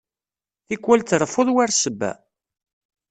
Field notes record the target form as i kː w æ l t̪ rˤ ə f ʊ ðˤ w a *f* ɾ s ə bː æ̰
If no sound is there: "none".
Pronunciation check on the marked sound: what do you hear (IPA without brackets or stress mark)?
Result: none